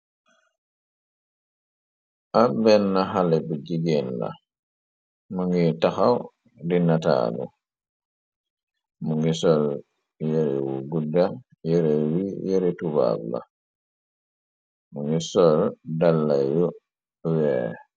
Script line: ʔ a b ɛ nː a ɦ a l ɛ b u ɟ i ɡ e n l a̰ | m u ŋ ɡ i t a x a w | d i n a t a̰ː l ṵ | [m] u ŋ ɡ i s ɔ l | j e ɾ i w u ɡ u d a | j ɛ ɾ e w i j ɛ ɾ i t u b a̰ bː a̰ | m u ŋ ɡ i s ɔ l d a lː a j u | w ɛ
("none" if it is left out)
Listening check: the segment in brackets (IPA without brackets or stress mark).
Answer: m